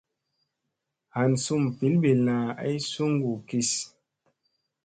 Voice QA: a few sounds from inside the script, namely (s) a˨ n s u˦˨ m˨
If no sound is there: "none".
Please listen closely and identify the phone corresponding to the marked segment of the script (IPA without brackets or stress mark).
h